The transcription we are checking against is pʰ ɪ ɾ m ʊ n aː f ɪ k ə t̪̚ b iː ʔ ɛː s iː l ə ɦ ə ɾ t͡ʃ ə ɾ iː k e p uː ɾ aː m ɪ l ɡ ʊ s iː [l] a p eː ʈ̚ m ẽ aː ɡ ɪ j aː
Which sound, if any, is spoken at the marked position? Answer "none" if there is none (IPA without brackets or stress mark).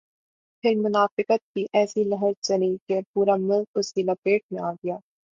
l